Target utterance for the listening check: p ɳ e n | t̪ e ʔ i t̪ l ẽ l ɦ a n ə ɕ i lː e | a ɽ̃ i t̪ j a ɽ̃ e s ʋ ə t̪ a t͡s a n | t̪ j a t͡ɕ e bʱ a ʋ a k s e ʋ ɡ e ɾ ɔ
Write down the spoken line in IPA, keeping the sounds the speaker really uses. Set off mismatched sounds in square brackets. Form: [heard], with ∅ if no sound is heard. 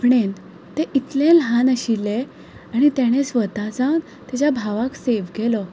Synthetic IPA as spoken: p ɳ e n | t̪ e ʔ i t̪ l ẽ l ɦ a n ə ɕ i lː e | a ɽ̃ i t̪ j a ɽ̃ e s ʋ ə t̪ a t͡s a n | t̪ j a t͡ɕ [a] bʱ a ʋ a k s e ʋ ɡ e [l] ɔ